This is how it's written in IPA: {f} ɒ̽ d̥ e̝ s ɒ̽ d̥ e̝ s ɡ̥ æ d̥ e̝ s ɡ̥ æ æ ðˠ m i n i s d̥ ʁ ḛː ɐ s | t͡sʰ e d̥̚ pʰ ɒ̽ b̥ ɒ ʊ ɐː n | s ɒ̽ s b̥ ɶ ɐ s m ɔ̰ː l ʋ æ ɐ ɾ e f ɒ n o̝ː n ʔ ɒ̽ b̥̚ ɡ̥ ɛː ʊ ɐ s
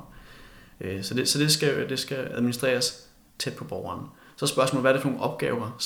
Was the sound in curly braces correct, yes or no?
no